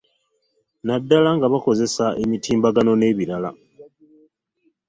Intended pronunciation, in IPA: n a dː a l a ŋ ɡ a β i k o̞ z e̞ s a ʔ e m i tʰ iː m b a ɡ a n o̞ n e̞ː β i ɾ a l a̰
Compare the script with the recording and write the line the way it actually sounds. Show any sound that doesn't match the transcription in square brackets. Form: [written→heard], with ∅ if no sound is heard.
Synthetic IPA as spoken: n a dː a l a ŋ ɡ a β [i→a] k o̞ z e̞ s a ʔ e m i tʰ iː m b a ɡ a n o̞ n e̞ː β i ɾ a l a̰